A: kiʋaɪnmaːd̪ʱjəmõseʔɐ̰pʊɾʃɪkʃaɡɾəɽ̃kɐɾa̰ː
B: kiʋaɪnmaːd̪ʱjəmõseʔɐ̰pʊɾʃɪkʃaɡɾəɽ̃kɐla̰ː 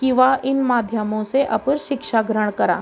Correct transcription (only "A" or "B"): A